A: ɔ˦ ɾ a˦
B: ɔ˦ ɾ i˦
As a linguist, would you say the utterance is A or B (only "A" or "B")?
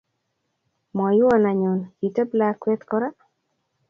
A